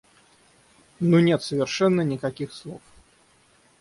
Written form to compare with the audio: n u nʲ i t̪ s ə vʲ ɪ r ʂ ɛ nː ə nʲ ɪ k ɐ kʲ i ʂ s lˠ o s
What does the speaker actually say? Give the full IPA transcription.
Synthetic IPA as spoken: n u nʲ e t̪ s ə vʲ ɪ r ʂ ɛ nː ə nʲ ɪ k ɐ kʲ i x s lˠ o f